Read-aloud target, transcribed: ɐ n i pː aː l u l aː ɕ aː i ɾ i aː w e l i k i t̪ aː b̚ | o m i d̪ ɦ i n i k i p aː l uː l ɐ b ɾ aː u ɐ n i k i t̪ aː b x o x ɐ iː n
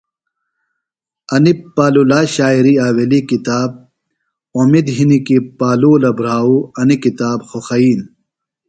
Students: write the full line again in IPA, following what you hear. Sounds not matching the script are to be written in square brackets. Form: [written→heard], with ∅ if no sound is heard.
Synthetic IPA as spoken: ɐ n i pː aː l u l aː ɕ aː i ɾ i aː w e l i k i t̪ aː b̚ | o m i d̪ ɦ i n i k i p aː l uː l ɐ b ɾ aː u ɐ n i k i t̪ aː b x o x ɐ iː n